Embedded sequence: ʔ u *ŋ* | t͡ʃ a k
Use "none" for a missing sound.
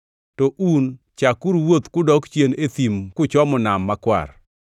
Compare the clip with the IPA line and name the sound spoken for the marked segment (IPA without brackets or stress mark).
n